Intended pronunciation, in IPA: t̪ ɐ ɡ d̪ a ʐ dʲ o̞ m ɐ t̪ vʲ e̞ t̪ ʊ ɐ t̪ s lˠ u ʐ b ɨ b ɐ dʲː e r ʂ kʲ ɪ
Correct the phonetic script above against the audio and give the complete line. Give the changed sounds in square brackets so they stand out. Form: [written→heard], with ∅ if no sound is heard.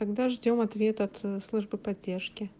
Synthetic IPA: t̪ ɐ ɡ d̪ a ʐ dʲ o̞ m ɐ t̪ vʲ e̞ t̪ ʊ ɐ t̪ s lˠ u ʐ b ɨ [b→p] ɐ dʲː e r ʂ kʲ ɪ